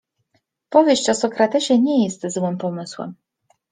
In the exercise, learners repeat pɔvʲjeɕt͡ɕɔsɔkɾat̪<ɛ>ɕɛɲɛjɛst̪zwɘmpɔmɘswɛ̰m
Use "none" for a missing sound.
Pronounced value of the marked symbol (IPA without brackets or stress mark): ɛ